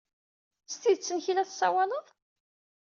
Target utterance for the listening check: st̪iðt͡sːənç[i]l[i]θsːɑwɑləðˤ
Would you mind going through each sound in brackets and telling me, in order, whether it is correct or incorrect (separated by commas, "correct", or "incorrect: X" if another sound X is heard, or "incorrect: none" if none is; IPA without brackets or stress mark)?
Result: correct, incorrect: æ